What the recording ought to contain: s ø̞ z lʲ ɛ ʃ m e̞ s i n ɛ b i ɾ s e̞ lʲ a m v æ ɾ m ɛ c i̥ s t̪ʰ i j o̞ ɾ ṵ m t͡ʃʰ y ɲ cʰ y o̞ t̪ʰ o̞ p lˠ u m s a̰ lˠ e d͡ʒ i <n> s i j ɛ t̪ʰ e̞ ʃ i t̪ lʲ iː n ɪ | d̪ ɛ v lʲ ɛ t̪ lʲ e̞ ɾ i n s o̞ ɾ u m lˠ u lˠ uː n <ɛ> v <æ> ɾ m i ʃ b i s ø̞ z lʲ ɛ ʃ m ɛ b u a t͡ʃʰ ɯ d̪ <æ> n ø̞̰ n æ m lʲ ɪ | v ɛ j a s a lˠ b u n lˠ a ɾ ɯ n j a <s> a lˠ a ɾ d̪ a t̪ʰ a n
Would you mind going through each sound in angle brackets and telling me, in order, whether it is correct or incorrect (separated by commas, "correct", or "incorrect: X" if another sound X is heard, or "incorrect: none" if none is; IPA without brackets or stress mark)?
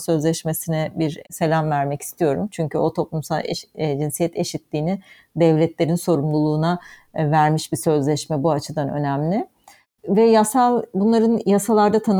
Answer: correct, incorrect: a, correct, incorrect: a, correct